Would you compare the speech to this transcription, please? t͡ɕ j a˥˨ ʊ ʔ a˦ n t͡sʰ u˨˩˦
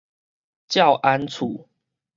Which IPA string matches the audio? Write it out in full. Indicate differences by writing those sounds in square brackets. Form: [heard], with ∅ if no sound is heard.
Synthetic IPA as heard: t͡ɕ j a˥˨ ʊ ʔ a˦ n t͡sʰ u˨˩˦

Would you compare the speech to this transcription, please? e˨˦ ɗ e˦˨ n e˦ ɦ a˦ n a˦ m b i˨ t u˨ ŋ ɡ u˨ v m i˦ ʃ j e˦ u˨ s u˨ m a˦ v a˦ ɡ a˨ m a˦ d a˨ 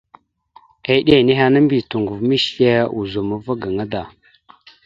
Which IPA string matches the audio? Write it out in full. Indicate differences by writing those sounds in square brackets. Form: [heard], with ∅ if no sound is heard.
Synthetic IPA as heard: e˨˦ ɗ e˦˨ n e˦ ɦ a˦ n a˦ m b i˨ t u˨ ŋ ɡ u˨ v m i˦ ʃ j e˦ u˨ [z] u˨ m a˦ v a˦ ɡ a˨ [ŋ] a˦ d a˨

